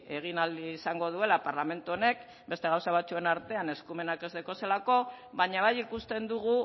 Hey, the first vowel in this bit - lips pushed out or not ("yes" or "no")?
no